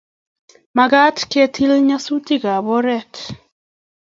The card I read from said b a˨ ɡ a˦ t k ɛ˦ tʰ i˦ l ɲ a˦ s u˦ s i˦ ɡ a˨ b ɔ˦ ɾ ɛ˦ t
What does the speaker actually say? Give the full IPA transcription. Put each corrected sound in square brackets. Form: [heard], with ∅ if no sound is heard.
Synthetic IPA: [m] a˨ ɡ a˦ t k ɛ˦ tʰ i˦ l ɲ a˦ s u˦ [t] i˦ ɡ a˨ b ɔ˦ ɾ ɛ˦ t

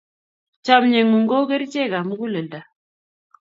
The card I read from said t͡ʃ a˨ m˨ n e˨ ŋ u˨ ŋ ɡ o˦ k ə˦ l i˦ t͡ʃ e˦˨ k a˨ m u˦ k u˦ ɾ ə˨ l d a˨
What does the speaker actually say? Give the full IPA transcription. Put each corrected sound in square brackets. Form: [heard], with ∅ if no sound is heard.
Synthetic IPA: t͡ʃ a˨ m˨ [ɲ] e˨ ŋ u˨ ŋ ɡ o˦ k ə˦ [ɾ] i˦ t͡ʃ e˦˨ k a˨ m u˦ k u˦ [l] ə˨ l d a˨

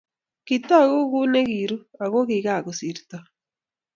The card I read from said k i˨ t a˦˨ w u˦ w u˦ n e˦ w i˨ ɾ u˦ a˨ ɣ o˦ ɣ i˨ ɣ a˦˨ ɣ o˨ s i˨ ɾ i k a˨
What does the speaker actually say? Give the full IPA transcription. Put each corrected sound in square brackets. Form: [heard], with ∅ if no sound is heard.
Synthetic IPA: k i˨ t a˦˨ [ɣ] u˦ [ɣ] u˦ n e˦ [ɣ] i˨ ɾ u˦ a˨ ɣ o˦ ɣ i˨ ɣ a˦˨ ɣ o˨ s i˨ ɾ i [t] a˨

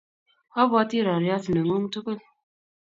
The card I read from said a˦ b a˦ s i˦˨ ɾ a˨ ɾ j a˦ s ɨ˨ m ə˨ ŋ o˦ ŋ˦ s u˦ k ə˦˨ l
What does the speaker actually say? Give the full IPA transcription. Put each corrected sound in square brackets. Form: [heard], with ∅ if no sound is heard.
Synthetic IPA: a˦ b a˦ [t] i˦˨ ɾ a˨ ɾ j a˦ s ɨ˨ [n] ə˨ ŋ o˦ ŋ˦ [t] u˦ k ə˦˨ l

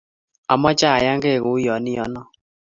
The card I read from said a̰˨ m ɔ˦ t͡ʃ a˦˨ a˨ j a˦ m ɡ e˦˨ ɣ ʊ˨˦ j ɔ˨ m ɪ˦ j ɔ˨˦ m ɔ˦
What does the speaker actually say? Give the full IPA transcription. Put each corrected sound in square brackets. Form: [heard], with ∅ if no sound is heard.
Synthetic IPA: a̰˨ m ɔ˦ t͡ʃ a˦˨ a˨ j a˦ [ŋ] ɡ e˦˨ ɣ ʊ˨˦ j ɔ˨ [n] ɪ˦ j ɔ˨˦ [n] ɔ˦

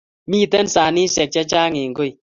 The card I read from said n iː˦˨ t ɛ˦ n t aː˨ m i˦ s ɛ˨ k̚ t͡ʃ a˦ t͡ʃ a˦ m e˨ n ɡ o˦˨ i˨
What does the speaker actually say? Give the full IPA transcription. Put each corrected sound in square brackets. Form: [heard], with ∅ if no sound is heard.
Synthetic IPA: [m] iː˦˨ t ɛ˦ n [s] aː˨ [n] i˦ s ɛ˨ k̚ t͡ʃ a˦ t͡ʃ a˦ [ŋ] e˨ [ŋ] ɡ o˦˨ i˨

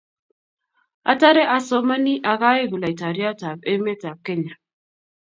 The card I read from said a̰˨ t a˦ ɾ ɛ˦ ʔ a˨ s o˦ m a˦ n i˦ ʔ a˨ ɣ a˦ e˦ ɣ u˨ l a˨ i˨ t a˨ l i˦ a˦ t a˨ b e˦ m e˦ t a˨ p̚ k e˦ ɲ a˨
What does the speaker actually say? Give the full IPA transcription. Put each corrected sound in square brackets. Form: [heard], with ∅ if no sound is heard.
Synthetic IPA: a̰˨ t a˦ ɾ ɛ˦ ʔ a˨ s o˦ m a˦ n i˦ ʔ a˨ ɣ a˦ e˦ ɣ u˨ l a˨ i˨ t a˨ [ɾ] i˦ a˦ t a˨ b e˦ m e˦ t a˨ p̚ k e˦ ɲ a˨

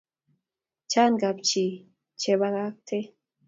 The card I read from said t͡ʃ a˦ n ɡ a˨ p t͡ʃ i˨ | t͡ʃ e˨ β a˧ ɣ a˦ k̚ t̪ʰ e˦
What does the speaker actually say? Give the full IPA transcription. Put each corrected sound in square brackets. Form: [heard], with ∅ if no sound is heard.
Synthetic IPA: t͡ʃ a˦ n ɡ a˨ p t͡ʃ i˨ | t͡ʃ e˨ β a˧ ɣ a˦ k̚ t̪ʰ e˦

